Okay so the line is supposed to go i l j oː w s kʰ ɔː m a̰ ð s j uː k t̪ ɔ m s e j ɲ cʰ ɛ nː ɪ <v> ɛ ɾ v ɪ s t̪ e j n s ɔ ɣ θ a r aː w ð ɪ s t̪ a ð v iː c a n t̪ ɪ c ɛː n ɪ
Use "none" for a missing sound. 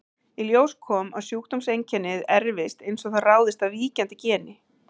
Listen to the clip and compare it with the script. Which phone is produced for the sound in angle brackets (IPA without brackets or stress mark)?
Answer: ð